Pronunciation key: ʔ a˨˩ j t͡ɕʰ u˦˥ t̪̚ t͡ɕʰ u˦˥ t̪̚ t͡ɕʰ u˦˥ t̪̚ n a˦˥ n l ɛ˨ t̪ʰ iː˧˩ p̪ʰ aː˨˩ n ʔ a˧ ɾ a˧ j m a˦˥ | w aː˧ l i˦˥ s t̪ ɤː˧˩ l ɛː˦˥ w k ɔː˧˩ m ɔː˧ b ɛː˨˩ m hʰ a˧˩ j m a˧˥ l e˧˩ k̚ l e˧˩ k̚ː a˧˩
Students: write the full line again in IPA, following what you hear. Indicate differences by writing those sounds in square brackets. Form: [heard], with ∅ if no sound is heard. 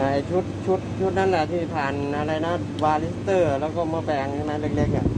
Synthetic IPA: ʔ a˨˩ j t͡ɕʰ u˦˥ t̪̚ t͡ɕʰ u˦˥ t̪̚ t͡ɕʰ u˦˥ t̪̚ n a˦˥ n l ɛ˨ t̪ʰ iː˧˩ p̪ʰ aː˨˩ n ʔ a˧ ɾ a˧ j [n] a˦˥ | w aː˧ l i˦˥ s t̪ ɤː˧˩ l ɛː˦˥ w k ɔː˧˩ m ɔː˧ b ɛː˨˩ [ŋ] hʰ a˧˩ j m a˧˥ l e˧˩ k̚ l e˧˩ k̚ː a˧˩